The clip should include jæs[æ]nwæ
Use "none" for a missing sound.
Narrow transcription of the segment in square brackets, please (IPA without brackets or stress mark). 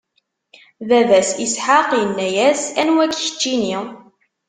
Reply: æ